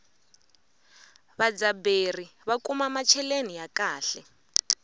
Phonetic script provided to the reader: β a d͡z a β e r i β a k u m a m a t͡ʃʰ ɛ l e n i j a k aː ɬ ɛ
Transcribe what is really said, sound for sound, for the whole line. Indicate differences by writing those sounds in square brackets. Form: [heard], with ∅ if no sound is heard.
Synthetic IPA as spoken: β a d͡z a [b] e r i β a k u m a m a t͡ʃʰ ɛ l e n i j a k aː ɬ ɛ